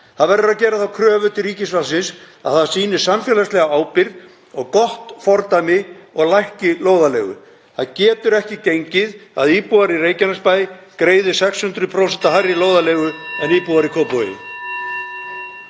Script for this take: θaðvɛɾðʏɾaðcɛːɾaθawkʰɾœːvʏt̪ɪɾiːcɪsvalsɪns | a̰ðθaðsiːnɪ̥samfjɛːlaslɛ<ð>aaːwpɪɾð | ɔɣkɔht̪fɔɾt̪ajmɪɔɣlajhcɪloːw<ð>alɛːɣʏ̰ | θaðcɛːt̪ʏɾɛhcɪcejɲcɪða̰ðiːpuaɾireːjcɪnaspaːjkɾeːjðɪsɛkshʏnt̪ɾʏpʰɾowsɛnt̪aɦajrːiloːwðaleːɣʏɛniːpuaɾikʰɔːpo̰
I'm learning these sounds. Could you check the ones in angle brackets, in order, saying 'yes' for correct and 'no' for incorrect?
no, yes

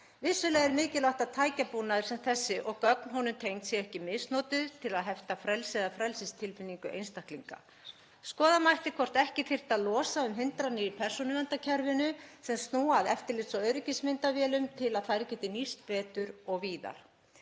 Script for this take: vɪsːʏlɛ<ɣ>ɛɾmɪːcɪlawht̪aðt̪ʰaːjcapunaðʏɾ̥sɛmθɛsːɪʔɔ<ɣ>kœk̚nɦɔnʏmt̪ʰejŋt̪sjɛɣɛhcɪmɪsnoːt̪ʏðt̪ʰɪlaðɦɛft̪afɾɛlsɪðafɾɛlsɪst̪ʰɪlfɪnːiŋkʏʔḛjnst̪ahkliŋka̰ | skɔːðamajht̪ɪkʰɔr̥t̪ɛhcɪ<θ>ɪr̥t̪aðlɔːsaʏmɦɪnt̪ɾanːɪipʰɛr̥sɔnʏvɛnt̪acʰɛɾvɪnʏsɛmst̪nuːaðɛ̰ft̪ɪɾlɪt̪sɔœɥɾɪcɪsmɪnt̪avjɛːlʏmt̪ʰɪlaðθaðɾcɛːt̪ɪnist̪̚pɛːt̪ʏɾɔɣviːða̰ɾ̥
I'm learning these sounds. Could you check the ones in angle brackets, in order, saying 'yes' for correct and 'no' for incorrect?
yes, yes, yes

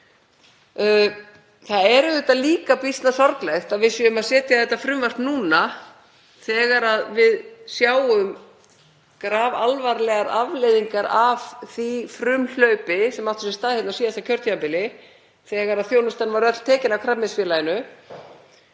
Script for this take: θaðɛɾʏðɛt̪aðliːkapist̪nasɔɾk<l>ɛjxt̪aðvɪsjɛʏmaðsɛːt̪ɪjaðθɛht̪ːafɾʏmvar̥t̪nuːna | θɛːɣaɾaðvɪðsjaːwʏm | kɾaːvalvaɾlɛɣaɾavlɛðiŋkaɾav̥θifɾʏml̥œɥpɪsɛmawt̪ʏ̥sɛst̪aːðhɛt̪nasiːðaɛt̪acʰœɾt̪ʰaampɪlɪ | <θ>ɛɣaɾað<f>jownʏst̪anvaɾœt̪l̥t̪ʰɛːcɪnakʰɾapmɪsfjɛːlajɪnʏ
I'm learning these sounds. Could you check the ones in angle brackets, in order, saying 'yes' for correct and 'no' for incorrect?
yes, yes, no

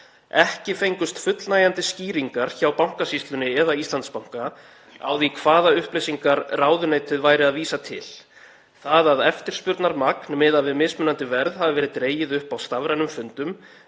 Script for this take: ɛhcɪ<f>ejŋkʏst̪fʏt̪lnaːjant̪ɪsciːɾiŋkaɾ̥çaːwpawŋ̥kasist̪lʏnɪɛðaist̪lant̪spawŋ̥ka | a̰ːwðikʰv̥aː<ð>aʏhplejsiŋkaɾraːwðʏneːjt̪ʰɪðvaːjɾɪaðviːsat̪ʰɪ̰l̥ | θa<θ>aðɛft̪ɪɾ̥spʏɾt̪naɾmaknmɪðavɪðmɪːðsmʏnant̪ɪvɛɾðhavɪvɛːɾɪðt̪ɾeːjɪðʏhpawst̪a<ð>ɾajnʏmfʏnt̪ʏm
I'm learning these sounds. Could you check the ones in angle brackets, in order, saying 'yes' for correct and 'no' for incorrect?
yes, yes, no, no

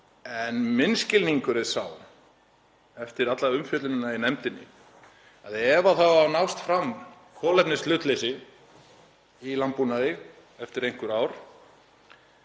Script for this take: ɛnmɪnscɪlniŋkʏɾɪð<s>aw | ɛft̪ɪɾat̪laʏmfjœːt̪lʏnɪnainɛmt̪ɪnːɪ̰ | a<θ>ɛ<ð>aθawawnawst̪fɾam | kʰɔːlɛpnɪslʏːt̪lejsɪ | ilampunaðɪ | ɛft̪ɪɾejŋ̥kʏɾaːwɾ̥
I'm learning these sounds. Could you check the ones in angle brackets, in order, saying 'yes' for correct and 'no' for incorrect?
yes, no, no

